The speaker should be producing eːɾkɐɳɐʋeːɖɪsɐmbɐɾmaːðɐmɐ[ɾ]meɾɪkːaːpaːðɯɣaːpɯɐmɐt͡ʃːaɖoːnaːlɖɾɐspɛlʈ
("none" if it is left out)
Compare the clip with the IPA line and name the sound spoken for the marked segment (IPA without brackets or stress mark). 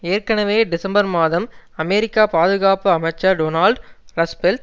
none